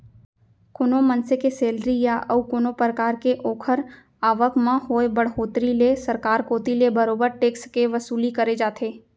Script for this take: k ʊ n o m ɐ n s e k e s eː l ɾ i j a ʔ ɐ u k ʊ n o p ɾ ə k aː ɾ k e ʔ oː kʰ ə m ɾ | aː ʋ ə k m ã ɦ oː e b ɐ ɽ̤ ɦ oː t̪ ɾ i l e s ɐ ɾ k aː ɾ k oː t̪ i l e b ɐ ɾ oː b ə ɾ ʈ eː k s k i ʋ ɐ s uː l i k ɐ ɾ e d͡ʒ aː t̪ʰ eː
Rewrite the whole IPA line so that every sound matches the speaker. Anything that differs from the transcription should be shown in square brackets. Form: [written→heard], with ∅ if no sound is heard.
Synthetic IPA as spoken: k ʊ n o m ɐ n s e k e s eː l ɾ i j a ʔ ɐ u k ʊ n o p ɾ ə k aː ɾ k e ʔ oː kʰ ə [m→∅] ɾ | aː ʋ ə k m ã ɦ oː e b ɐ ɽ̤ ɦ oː t̪ ɾ i l e s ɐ ɾ k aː ɾ k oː t̪ i l e b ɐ ɾ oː b ə ɾ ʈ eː k s k [i→e] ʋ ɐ s uː l i k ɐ ɾ e d͡ʒ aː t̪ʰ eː